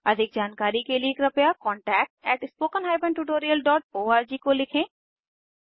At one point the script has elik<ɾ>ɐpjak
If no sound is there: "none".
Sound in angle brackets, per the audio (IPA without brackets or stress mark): ɾ